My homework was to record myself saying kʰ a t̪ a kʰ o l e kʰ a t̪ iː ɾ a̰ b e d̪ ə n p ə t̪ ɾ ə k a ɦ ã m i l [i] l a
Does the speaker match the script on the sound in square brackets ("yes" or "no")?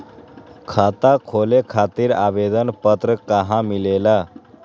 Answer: no